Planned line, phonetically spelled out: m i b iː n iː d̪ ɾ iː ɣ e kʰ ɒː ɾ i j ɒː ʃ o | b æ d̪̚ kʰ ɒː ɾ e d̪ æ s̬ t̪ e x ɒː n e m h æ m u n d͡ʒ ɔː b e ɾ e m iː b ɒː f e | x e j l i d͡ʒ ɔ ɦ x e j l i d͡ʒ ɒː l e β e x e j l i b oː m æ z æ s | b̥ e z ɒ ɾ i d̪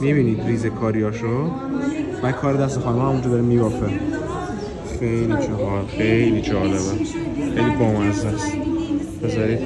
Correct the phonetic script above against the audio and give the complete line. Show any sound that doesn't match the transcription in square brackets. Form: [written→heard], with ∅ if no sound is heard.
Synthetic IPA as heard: m i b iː n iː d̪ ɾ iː [ɣ→z] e kʰ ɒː ɾ i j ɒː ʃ o | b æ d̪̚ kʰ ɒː ɾ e d̪ æ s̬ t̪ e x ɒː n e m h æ m u n d͡ʒ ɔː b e ɾ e m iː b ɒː f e | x e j l i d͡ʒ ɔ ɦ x e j l i d͡ʒ ɒː l e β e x e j l i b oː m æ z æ s | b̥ e z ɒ ɾ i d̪

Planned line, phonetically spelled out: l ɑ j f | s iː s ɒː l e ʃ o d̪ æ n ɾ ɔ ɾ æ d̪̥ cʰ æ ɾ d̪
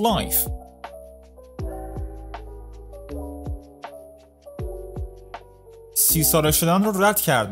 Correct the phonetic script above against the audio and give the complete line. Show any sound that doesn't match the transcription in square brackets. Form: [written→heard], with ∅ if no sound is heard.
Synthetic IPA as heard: l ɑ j f | s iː s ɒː [l→ɾ] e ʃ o d̪ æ n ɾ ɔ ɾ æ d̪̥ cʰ æ ɾ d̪

